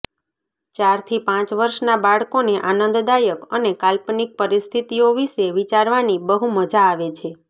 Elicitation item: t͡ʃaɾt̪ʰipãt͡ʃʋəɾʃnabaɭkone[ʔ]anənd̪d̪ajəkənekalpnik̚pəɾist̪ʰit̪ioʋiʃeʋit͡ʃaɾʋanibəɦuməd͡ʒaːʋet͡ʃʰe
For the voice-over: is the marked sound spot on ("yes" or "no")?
yes